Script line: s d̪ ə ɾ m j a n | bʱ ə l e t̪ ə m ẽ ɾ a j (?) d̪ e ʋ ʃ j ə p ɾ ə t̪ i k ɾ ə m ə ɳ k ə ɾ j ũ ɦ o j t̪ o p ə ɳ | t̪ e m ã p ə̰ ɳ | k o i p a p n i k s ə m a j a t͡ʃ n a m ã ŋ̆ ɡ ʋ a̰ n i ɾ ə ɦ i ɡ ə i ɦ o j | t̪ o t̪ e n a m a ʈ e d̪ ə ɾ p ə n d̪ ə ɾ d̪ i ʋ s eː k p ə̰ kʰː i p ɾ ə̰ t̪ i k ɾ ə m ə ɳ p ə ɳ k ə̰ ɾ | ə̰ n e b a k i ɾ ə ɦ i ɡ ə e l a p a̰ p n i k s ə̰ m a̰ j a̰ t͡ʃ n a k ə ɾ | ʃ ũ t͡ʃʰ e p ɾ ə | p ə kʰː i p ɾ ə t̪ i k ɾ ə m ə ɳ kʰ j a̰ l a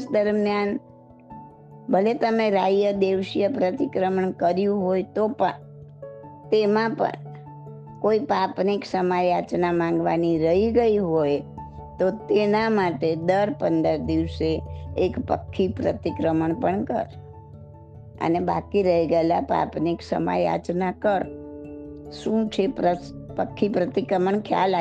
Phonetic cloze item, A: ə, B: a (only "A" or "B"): A